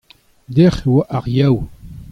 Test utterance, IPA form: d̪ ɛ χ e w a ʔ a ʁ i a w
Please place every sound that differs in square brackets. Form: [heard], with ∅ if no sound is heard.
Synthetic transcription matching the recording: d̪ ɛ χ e w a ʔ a ʁ [j] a w